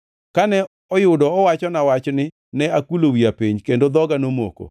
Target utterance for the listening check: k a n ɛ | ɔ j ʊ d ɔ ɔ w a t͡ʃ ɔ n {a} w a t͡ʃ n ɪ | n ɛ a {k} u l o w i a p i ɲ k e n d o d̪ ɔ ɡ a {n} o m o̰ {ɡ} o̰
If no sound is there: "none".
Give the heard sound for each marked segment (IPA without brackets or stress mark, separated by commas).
a, k, n, k